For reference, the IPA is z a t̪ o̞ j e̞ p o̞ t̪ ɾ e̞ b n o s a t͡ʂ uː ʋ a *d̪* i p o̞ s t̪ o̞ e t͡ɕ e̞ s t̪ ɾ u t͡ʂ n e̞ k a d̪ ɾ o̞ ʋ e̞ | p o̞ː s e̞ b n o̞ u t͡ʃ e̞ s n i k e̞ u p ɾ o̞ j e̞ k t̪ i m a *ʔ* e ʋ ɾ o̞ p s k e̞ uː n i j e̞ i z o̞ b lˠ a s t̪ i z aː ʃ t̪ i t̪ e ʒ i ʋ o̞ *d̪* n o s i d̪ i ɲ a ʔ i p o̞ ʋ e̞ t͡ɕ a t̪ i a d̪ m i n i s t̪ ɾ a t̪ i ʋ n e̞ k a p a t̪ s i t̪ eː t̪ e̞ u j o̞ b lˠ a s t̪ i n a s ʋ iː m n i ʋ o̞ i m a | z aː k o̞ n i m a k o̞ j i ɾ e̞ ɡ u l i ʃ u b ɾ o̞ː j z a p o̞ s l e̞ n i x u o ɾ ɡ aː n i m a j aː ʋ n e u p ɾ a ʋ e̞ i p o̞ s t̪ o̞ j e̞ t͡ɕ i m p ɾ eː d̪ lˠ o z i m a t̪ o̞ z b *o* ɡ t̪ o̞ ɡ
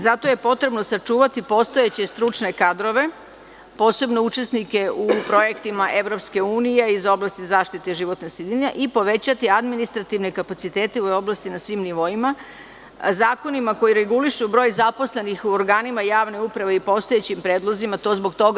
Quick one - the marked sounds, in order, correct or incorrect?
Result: incorrect: t̪, correct, incorrect: t̪, correct

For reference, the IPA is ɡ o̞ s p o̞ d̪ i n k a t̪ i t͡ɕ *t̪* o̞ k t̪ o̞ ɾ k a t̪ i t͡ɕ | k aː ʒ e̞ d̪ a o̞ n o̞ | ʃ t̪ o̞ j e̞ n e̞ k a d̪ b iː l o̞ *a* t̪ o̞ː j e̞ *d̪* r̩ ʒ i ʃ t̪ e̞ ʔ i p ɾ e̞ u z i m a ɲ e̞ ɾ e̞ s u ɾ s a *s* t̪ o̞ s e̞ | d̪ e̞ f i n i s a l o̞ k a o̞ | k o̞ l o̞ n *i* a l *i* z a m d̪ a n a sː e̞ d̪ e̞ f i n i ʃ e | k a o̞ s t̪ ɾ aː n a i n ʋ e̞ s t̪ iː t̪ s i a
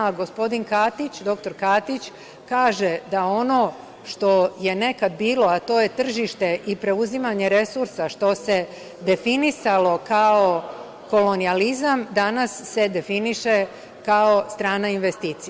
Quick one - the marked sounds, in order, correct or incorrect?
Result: incorrect: d̪, correct, incorrect: t̪, incorrect: ʃ, correct, correct

